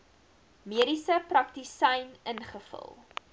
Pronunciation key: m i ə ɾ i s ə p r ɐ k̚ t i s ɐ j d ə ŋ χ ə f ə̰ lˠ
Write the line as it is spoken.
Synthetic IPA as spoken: m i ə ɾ i s ə p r ɐ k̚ t i s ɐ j n ə n χ ə f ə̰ lˠ